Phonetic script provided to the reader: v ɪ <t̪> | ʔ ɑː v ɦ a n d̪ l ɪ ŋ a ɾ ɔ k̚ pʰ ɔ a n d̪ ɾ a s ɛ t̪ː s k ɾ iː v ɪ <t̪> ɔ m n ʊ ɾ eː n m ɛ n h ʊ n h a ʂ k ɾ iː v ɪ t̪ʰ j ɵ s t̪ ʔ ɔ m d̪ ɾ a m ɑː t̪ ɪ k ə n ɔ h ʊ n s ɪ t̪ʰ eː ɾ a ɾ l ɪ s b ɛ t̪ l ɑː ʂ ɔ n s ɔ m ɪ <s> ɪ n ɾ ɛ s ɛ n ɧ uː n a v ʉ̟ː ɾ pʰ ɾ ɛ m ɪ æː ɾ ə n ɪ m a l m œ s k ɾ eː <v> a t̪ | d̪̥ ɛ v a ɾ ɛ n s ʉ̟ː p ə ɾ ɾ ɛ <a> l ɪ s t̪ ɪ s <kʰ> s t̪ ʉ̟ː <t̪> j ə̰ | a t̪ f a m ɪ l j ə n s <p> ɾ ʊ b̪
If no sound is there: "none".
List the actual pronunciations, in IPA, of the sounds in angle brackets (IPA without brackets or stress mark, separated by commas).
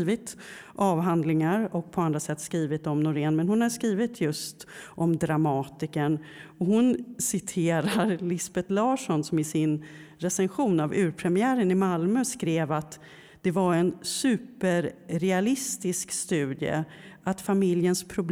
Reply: t̪, t̪, s, v, a, k, d̪, pʰ